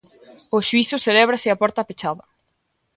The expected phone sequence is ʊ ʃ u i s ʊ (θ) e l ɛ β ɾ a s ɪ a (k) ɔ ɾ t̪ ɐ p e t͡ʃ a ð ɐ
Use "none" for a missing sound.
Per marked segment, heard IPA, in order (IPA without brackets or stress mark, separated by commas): s, p